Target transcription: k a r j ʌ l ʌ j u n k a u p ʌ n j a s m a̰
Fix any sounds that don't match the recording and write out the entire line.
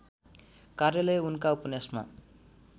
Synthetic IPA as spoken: k a r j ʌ l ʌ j u n k a u p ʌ n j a s m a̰